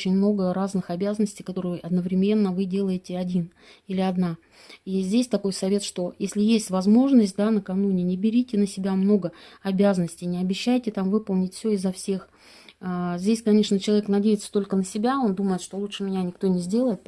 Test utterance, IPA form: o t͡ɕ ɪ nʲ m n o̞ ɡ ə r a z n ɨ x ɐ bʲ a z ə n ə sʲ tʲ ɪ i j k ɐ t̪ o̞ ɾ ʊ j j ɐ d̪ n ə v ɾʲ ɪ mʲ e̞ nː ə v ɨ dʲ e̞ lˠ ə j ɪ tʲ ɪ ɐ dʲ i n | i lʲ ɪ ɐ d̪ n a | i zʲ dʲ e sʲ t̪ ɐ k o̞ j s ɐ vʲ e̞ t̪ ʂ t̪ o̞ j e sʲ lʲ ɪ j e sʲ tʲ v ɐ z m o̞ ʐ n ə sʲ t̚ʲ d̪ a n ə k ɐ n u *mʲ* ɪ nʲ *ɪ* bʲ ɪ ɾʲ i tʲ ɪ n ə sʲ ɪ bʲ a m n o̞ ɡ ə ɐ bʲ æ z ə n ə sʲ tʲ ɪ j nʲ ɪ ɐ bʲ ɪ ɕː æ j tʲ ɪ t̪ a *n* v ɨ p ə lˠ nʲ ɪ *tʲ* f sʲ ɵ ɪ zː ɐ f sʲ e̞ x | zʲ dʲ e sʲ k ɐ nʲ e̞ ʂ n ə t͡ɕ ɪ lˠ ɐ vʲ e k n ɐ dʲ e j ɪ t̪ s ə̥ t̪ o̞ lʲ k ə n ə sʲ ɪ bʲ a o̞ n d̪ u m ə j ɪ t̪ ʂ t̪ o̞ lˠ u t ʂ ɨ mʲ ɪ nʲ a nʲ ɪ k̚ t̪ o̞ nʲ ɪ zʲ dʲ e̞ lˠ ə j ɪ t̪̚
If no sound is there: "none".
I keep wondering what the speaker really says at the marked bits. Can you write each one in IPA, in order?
nʲ, ɪ, m, tʲ

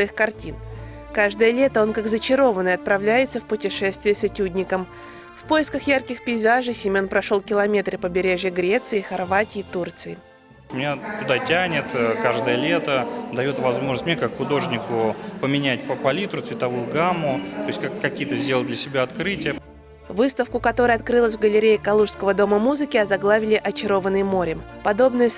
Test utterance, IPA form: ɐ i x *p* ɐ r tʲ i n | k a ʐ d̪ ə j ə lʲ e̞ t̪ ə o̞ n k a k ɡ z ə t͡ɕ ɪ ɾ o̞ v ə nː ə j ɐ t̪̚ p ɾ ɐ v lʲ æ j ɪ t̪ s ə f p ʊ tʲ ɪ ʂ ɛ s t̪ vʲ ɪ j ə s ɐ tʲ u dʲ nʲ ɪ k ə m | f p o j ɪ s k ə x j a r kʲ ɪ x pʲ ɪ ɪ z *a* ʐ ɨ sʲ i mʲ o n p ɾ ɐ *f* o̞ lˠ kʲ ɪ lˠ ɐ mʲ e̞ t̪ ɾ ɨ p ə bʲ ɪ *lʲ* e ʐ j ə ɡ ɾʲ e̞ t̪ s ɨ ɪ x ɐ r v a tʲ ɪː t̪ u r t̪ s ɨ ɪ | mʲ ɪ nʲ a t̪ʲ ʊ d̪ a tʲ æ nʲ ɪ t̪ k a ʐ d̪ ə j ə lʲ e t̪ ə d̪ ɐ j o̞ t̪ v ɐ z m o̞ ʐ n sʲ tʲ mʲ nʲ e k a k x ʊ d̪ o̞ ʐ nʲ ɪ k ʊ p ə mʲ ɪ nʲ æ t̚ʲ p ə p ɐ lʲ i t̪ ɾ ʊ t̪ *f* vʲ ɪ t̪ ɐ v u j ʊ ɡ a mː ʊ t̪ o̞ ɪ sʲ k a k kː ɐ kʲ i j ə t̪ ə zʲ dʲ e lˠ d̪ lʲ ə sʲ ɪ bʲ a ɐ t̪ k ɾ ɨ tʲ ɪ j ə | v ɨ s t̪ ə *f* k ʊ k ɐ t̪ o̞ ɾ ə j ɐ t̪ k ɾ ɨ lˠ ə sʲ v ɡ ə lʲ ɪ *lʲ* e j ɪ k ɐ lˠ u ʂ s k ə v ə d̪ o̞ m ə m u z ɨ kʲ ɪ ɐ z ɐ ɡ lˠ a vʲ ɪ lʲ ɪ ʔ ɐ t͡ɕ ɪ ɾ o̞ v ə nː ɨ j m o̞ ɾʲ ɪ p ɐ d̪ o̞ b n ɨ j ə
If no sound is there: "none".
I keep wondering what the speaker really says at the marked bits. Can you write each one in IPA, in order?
k, a, ʂ, ɾʲ, s, f, ɾʲ

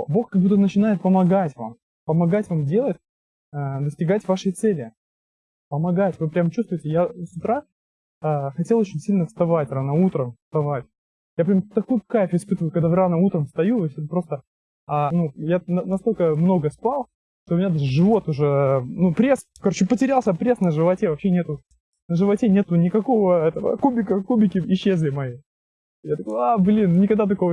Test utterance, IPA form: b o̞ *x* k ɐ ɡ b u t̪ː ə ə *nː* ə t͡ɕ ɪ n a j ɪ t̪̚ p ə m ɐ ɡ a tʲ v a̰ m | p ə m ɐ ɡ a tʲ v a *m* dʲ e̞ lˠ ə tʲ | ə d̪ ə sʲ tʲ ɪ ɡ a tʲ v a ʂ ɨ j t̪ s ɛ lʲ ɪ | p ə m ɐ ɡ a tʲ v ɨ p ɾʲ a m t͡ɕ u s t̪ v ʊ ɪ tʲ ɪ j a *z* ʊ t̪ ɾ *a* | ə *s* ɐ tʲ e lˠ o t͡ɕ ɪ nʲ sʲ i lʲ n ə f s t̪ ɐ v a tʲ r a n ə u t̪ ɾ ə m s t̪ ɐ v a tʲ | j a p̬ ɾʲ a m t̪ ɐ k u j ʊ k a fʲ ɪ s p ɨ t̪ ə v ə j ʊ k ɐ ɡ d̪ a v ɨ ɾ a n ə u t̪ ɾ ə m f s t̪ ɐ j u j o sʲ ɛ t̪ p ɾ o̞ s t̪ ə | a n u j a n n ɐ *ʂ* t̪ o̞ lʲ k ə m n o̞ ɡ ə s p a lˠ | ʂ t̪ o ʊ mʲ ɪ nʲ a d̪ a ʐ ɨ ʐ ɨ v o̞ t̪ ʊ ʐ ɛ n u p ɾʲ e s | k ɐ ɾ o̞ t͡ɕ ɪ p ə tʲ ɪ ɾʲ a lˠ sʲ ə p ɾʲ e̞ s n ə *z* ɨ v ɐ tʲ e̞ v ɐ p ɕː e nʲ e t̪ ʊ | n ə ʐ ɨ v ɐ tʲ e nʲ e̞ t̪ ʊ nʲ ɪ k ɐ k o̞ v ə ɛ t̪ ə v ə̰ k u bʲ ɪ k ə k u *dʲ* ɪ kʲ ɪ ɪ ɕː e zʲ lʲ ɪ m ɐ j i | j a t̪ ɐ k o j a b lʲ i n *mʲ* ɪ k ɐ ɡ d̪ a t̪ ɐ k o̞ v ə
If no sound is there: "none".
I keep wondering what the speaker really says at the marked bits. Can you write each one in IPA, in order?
x, n, m, s, a, x, s, ʐ, bʲ, nʲ

